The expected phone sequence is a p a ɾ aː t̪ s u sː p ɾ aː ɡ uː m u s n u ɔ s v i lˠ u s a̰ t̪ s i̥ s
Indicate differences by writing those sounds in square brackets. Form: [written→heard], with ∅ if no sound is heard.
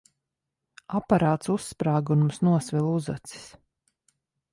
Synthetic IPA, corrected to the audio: a p a ɾ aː t̪ s u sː p ɾ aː ɡ [uː→u] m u s n u ɔ s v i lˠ u [s→z] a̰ t̪ s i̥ s